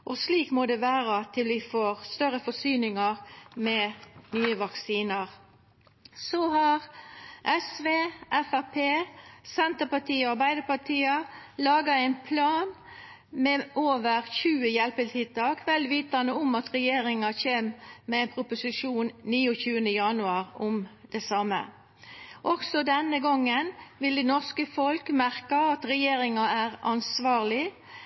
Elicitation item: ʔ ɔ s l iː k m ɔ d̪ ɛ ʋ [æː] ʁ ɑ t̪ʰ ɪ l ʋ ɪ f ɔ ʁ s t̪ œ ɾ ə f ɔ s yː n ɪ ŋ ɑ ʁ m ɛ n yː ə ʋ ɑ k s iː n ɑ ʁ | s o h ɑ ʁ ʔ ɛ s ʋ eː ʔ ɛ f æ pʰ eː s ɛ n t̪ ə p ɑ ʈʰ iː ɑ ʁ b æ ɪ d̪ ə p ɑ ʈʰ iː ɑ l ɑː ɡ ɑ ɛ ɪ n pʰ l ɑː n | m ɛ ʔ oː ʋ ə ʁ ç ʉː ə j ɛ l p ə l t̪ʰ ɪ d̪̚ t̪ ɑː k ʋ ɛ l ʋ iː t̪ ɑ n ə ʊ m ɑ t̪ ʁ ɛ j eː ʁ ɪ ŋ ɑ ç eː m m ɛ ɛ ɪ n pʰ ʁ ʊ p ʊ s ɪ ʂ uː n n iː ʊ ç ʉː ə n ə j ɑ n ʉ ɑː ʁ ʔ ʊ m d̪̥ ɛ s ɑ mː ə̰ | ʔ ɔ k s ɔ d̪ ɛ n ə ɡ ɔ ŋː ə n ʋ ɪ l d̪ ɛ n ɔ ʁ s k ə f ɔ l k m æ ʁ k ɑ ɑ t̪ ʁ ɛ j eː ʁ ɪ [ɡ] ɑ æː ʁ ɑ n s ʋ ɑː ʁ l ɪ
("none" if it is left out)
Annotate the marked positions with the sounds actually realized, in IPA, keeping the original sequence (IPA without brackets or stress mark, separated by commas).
æː, ŋ